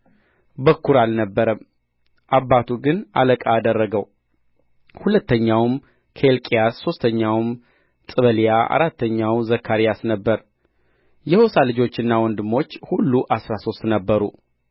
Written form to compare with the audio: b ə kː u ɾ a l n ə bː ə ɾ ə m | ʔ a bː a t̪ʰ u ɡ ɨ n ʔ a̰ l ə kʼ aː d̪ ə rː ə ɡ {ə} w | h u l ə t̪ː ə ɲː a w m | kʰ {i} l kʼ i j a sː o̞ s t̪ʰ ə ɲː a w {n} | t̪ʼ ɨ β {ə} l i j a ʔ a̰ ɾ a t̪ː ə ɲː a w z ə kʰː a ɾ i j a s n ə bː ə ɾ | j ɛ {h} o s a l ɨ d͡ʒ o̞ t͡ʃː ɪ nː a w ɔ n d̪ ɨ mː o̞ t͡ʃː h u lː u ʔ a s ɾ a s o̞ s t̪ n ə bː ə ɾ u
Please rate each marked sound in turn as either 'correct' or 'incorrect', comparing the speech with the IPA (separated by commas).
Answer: correct, incorrect, incorrect, correct, correct